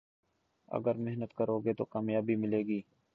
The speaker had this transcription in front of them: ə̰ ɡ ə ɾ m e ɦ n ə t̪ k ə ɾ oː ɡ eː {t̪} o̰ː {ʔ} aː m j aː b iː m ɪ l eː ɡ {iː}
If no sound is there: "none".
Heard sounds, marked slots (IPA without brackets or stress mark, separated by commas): t̪, k, iː